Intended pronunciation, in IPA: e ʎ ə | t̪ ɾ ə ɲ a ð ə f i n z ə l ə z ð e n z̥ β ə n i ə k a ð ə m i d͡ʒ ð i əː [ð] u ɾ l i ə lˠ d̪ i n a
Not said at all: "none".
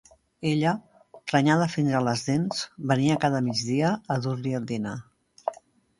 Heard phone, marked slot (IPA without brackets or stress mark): ð